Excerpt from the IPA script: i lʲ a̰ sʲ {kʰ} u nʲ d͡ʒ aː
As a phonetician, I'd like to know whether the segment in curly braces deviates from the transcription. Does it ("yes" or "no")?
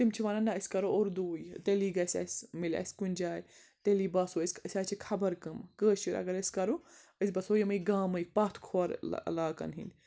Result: yes